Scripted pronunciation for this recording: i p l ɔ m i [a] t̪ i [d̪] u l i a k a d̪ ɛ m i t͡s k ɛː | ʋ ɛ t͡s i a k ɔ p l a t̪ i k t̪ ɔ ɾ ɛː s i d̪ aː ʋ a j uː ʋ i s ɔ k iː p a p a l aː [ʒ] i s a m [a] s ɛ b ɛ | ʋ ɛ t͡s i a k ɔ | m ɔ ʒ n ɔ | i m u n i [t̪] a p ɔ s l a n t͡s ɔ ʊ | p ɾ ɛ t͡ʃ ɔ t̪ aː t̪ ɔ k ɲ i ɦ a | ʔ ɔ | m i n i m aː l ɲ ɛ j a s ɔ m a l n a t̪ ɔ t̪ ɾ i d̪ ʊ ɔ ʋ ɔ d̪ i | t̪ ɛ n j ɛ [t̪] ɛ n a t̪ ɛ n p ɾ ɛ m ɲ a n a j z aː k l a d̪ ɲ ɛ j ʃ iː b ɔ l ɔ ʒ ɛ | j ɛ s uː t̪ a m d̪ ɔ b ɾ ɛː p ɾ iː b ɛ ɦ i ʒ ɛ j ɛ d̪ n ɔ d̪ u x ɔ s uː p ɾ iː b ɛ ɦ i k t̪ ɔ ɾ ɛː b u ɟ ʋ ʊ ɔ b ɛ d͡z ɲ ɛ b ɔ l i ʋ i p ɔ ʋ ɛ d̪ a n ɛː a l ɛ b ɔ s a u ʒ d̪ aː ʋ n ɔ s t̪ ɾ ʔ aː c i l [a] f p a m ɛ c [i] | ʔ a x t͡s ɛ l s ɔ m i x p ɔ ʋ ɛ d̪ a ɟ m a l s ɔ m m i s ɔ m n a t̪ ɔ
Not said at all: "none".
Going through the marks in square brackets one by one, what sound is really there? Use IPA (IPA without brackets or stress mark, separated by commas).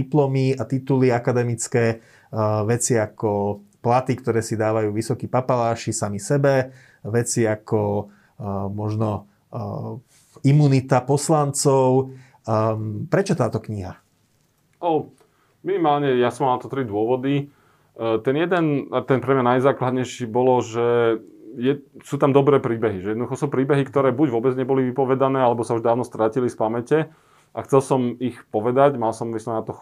a, t̪, ʃ, i, t̪, d̪, i, ɛ